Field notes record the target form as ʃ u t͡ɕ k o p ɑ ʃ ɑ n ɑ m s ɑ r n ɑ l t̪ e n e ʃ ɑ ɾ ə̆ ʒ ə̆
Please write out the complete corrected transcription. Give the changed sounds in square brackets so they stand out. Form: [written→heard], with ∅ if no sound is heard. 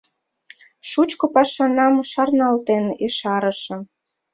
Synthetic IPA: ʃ u t͡ɕ k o p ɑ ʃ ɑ n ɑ m [s→ʃ] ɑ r n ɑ l t̪ e n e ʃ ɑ ɾ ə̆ [ʒ→ʃ] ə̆

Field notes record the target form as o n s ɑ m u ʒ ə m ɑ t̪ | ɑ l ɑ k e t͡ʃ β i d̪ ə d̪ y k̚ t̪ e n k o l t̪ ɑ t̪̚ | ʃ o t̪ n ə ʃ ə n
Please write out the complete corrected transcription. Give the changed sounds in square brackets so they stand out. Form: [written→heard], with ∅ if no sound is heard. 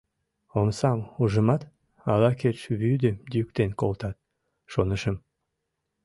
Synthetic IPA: o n s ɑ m u ʒ ə m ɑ t̪ | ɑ l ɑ k e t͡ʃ β [i→y] d̪ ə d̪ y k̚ t̪ e n k o l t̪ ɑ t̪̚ | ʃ o [t̪→∅] n ə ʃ ə [n→m]

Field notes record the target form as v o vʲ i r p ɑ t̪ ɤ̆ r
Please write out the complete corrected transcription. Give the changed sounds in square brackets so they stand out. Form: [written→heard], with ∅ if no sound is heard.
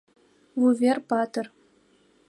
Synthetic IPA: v [o→u] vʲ [i→e] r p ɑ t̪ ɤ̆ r

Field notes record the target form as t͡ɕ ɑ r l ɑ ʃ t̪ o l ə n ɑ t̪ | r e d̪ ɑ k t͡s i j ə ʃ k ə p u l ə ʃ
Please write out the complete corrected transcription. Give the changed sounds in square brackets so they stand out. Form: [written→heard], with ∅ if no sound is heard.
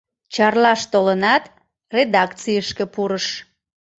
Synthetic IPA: t͡ɕ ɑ r l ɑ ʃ t̪ o l ə n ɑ t̪ | r e d̪ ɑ k t͡s i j ə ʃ k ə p u [l→ɾ] ə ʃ

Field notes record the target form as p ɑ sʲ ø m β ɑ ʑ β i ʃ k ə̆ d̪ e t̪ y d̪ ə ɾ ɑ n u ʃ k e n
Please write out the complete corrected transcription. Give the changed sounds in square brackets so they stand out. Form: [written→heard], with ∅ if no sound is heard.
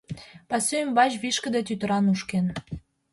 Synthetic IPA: p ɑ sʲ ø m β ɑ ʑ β i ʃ k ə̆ d̪ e t̪ y [d̪→t̪] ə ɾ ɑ n u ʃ k e n

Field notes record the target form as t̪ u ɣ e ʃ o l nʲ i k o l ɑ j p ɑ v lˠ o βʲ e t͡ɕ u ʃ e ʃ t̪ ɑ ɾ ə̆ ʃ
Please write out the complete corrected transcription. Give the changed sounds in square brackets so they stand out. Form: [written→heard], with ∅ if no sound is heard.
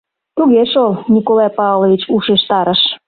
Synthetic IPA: t̪ u ɣ e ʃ o l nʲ i k o l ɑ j p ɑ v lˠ o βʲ [e→i] t͡ɕ u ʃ e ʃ t̪ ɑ ɾ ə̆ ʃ

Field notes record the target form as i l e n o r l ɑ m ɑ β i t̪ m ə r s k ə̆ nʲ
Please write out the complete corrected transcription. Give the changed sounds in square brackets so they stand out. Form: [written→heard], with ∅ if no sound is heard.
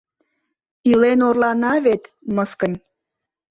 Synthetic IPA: i l e n o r l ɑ [m→n] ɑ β [i→e] t̪ m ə [r→∅] s k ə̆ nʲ

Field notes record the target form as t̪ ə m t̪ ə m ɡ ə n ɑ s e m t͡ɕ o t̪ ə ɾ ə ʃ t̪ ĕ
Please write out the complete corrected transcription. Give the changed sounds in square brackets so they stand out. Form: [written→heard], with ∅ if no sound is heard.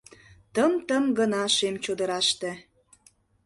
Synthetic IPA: t̪ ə m t̪ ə m ɡ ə n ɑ [s→ʃ] e m t͡ɕ o [t̪→d̪] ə ɾ [ə→ɑ] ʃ t̪ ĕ

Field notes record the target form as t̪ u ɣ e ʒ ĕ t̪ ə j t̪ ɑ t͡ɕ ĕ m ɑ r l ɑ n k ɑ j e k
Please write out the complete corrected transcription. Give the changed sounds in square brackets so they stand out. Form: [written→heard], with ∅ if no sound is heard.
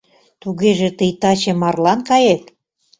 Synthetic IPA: t̪ u ɣ e ʒ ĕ t̪ ə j t̪ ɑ t͡ɕ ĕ m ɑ r l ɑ n k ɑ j e k

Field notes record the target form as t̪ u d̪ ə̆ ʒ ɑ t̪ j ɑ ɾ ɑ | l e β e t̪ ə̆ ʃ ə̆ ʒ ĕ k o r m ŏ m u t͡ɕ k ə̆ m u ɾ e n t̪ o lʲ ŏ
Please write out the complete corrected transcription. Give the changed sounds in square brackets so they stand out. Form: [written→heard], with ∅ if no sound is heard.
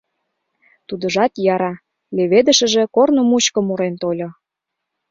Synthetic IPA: t̪ u d̪ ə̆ ʒ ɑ t̪ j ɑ ɾ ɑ | l e β e [t̪→d̪] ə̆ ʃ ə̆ ʒ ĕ k o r [m→n] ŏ m u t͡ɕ k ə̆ m u ɾ e n t̪ o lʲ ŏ

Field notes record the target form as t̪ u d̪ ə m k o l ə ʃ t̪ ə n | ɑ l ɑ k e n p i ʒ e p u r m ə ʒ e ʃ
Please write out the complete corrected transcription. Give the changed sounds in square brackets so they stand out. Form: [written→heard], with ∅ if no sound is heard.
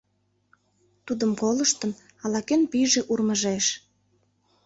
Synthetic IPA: t̪ u d̪ ə m k o l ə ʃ t̪ ə n | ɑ l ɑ k e n p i ʒ e [p→ʔ] u r m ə ʒ e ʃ

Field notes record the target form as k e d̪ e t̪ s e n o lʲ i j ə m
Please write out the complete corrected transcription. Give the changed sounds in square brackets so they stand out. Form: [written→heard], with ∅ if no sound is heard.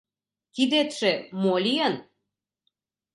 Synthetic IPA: k [e→i] d̪ e t̪ [s→ʃ] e [n→m] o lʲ i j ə [m→n]

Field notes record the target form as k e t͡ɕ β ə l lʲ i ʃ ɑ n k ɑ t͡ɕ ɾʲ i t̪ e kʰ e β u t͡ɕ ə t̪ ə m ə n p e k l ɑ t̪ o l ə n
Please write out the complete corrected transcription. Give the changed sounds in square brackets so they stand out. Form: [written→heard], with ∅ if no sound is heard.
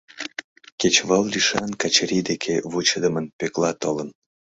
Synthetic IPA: k e t͡ɕ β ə l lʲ i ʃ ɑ n k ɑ t͡ɕ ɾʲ i [t̪→d̪] e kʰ e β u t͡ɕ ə [t̪→d̪] ə m ə n p e k l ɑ t̪ o l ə n

